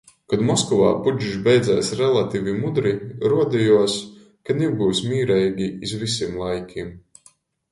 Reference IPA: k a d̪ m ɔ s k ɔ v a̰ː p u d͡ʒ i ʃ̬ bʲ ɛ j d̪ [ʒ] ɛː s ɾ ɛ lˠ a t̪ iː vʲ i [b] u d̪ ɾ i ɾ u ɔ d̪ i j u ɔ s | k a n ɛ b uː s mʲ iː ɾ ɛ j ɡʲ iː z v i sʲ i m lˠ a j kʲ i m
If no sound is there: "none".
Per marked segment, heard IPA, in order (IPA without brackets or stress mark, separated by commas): z, m